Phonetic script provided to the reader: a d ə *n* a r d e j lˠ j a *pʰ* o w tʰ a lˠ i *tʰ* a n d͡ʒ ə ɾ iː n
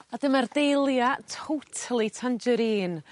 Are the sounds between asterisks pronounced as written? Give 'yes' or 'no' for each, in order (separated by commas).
no, no, yes